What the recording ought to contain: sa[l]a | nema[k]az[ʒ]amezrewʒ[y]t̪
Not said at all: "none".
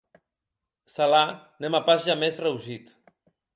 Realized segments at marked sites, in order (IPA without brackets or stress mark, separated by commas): l, p, ʒ, i